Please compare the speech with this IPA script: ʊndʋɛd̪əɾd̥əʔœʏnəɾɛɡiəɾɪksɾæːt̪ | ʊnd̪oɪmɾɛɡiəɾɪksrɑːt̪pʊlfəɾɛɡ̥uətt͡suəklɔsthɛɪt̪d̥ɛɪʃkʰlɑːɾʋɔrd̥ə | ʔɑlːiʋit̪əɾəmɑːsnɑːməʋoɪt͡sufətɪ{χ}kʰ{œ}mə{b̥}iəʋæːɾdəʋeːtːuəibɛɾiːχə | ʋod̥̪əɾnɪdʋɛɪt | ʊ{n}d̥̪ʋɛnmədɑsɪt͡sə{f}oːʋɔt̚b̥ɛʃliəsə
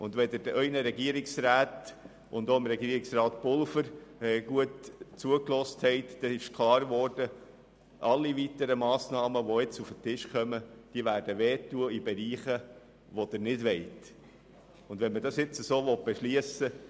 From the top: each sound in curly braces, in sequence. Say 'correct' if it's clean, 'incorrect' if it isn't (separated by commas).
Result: incorrect, correct, incorrect, correct, incorrect